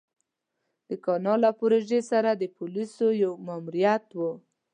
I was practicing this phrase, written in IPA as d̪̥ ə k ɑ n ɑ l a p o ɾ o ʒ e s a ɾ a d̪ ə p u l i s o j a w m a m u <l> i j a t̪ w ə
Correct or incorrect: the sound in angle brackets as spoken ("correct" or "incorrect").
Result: incorrect